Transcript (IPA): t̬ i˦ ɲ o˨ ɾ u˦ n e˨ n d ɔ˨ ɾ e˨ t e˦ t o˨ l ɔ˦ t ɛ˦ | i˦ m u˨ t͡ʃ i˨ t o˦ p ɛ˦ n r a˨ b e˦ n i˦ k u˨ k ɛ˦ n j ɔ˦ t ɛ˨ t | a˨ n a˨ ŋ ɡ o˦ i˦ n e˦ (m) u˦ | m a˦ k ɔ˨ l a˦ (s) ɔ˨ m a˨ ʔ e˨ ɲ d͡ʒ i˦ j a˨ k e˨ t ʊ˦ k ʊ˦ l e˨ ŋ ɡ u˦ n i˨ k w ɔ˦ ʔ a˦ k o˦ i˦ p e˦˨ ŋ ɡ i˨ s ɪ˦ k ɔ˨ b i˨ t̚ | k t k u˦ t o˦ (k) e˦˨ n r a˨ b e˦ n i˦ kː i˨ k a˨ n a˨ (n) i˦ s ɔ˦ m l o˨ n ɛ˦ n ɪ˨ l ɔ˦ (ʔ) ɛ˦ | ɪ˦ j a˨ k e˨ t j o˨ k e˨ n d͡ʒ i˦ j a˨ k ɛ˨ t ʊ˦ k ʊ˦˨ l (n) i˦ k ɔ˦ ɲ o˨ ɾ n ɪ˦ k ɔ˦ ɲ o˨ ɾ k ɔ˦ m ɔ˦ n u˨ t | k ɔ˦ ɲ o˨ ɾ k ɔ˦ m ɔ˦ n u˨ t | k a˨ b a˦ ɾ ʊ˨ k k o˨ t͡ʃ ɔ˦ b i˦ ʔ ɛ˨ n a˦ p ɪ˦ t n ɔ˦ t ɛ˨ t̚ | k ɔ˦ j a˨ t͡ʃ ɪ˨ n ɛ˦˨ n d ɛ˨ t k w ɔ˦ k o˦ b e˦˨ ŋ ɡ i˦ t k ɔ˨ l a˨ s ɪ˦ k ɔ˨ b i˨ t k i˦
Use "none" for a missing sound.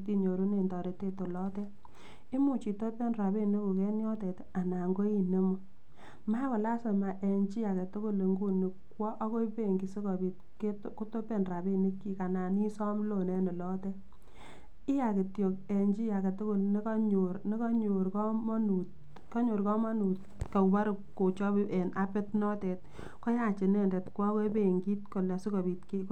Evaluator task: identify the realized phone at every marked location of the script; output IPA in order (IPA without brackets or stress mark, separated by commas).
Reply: m, s, p, n, t, n